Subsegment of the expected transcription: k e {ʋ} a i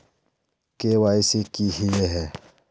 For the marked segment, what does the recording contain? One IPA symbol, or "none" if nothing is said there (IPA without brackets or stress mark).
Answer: w